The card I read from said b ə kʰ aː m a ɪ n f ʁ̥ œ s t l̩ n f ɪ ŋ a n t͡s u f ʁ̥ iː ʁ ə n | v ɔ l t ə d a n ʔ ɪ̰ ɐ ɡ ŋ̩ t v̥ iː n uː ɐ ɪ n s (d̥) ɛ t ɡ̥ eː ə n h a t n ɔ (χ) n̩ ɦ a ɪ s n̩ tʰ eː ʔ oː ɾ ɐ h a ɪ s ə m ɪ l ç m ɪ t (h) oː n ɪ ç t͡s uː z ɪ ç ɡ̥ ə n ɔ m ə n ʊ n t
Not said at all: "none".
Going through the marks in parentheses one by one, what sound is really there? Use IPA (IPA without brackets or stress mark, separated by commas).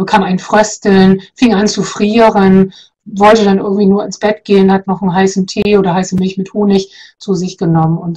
b̥, χ, h